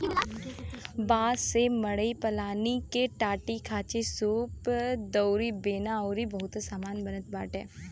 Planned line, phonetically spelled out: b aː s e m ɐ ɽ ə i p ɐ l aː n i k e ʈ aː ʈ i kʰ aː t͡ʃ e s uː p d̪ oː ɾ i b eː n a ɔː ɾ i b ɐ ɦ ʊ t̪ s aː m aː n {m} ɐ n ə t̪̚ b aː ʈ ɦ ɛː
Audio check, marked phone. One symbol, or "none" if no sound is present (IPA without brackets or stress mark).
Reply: b